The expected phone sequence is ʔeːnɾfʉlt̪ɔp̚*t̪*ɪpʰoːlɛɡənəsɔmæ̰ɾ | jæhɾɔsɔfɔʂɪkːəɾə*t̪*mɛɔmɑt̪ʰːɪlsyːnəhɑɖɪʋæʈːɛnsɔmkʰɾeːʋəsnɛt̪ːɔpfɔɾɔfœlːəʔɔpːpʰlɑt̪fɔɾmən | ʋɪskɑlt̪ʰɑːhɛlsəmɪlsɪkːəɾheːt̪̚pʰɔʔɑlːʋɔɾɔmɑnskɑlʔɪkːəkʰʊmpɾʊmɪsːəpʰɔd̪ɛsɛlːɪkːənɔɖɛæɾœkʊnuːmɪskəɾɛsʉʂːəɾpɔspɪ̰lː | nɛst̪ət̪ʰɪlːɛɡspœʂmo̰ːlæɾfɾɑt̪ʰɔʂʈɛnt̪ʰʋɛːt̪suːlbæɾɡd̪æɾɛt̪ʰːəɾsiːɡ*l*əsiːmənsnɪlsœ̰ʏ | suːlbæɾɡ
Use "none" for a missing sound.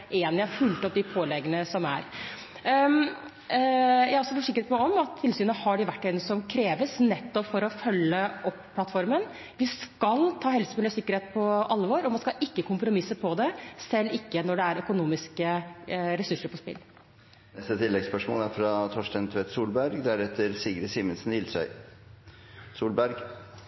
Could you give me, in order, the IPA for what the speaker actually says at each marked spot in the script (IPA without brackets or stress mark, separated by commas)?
d̪, t̪, ɾ